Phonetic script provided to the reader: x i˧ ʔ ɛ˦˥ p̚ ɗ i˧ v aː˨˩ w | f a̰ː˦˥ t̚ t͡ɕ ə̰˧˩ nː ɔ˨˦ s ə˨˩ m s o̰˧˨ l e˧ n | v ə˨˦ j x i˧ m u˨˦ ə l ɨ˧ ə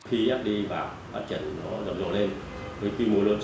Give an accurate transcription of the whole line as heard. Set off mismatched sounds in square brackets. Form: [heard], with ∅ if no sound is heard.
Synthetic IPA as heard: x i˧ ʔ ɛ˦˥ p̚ ɗ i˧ v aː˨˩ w | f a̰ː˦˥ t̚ t͡ɕ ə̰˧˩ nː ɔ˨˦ [z] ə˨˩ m [z] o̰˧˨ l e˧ n | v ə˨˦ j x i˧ m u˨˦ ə l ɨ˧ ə